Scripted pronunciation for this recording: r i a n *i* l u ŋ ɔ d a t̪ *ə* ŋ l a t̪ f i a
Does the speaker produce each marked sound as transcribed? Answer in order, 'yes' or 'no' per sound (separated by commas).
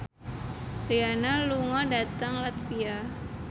no, no